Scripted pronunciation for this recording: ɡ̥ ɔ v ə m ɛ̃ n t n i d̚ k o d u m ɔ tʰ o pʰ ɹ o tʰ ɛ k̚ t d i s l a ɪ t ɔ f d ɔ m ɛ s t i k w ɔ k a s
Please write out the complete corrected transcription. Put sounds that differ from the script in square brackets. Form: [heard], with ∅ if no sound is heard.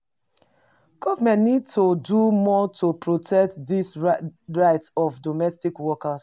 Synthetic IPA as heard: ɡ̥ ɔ v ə m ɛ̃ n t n i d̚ [t] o d u m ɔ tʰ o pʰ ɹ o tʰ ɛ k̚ t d i s [ɹ] a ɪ t ɔ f d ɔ m ɛ s t i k w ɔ k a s